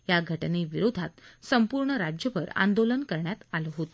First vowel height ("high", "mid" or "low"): low